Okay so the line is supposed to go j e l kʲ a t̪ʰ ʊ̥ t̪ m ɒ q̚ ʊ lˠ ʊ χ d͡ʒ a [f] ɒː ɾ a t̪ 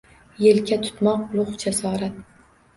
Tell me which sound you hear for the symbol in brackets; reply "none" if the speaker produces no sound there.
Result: s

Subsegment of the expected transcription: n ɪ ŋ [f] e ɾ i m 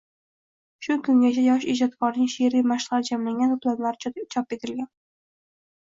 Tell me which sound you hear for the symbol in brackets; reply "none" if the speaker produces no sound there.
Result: ʃ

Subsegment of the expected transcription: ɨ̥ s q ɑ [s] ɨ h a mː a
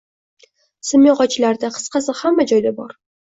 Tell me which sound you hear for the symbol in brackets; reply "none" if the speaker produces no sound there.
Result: s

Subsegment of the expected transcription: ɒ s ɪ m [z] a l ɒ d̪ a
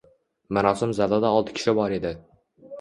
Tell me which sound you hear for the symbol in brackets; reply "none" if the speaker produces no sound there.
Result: z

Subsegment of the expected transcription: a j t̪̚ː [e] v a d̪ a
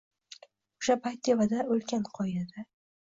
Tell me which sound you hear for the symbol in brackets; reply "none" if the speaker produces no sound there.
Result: e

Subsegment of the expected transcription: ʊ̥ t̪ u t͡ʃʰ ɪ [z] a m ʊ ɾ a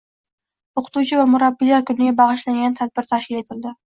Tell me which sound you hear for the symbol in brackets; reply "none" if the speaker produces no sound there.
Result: v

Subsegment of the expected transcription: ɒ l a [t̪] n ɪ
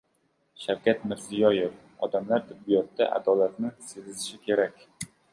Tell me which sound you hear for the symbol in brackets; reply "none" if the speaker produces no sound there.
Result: t̪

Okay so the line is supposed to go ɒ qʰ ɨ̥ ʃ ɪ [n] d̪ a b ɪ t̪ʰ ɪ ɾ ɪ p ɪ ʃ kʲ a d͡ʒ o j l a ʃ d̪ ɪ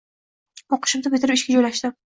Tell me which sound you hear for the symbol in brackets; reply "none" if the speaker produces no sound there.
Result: m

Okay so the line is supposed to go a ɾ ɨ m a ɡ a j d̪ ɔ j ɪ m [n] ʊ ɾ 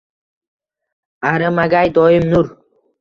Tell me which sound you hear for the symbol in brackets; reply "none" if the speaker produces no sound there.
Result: n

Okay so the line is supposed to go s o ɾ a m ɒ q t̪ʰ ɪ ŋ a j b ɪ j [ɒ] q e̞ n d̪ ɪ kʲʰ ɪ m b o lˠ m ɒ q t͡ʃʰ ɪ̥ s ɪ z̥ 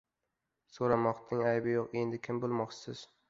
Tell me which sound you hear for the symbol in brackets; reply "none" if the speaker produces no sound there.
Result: o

